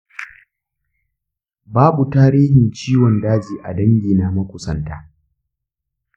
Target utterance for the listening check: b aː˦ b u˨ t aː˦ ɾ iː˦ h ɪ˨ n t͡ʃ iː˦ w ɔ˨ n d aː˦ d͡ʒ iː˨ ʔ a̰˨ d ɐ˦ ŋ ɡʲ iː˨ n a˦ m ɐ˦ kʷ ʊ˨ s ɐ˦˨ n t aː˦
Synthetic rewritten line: b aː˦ b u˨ t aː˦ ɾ iː˦ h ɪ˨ n t͡ʃ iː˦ w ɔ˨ n d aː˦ d͡ʒ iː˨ ʔ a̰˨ d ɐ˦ ŋ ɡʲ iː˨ n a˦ m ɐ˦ kʷ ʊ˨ s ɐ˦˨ n t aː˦